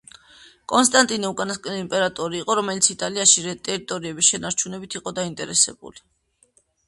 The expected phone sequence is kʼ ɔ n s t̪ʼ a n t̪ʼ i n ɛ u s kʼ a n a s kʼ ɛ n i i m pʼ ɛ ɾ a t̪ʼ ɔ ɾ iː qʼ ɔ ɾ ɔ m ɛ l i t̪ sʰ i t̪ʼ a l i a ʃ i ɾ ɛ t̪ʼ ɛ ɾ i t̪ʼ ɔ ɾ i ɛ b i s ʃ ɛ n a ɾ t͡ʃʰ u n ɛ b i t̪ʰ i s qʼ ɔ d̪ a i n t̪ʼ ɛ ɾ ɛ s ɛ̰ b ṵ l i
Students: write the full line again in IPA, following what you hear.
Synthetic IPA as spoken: kʼ ɔ n s t̪ʼ a n t̪ʼ i n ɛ u kʼ a n a s kʼ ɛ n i i m pʼ ɛ ɾ a t̪ʼ ɔ ɾ iː qʼ ɔ ɾ ɔ m ɛ l i t̪ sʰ i t̪ʼ a l i a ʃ i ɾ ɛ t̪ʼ ɛ ɾ i t̪ʼ ɔ ɾ i ɛ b i s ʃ ɛ n a ɾ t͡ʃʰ u n ɛ b i t̪ʰ i qʼ ɔ d̪ a i n t̪ʼ ɛ ɾ ɛ s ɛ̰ b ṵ l i